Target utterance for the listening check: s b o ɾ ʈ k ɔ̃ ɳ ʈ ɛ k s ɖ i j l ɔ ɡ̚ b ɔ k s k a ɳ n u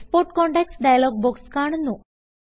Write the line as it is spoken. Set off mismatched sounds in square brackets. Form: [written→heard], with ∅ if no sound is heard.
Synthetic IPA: s [b→p] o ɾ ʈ k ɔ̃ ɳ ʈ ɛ k s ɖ [i→a] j l ɔ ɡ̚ b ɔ k s k a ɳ n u